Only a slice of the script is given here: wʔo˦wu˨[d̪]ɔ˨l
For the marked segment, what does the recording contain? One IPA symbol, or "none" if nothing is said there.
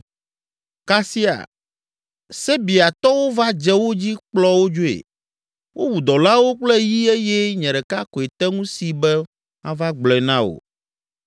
d̪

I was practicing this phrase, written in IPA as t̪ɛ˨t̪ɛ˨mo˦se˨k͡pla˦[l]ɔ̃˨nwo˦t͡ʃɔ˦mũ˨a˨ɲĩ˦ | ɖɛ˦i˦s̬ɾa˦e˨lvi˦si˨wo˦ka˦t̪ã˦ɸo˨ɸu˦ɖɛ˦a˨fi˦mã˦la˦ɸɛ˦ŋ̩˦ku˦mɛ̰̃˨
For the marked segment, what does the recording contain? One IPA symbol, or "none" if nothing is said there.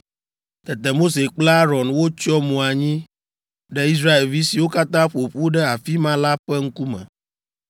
ɾ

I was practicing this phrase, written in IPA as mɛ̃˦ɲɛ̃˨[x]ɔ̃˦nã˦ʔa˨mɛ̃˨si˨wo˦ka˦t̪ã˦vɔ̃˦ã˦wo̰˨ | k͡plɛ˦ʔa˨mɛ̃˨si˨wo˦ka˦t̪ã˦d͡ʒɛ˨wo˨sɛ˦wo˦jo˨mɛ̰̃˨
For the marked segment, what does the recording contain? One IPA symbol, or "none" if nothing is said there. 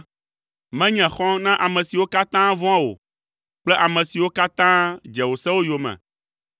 x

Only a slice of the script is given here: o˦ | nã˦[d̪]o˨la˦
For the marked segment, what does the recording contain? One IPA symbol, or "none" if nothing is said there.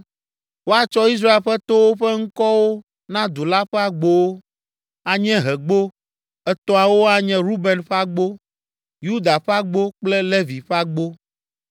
d̪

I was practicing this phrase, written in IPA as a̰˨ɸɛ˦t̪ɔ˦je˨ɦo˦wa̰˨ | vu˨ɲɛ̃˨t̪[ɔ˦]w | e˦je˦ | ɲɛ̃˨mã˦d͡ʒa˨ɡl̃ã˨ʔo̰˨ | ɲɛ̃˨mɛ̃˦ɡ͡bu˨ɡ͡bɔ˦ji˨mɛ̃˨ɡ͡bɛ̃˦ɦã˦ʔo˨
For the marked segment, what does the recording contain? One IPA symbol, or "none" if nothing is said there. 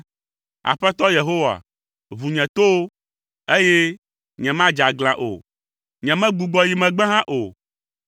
o˦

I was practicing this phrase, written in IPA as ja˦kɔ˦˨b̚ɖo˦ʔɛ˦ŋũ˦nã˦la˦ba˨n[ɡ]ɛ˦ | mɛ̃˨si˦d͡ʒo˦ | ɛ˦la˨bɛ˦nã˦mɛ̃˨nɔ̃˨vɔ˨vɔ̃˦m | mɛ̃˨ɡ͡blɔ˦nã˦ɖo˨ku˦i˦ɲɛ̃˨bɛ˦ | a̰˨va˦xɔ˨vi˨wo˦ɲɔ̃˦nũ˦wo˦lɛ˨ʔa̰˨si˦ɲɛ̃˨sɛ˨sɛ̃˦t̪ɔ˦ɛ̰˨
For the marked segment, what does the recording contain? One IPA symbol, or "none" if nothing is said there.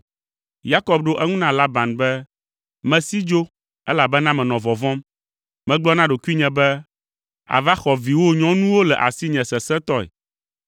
b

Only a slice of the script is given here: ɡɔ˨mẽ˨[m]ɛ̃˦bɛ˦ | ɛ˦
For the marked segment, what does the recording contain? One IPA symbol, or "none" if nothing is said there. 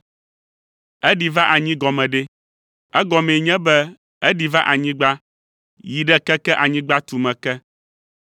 ɲ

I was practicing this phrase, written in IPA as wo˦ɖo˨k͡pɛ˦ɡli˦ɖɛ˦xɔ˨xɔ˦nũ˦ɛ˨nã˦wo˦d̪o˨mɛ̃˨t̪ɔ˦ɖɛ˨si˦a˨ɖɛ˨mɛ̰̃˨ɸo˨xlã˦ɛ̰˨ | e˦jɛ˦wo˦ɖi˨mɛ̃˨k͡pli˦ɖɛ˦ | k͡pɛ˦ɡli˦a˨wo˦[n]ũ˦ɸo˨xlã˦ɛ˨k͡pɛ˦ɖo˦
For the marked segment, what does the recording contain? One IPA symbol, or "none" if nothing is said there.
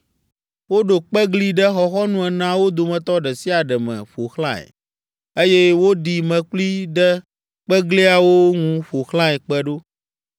ŋ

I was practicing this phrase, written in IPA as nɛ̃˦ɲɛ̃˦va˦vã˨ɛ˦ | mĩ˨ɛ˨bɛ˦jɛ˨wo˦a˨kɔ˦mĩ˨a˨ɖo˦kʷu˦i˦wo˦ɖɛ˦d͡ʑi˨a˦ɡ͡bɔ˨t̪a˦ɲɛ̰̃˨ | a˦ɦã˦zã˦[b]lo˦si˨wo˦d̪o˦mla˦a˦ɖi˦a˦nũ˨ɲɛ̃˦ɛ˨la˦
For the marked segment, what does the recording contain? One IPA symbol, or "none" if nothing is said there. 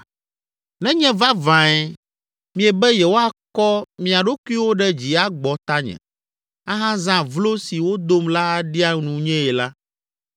v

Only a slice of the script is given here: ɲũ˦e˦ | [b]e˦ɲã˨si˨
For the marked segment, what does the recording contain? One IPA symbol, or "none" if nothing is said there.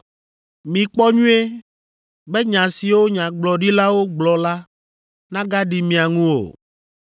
b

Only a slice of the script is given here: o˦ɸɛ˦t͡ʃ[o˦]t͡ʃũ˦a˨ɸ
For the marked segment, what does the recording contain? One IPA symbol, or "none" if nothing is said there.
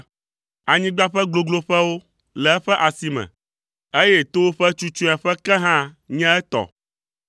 u˦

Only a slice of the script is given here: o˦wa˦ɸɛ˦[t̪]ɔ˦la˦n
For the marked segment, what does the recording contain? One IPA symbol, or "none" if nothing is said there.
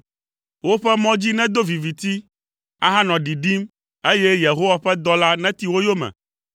d̪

